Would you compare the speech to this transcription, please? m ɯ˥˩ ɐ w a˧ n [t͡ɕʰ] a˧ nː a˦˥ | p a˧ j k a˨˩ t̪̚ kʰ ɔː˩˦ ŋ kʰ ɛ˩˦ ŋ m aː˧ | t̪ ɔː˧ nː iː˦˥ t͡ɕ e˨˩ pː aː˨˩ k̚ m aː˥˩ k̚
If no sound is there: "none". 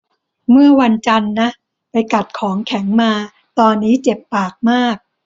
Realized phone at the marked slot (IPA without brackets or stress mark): t͡ɕ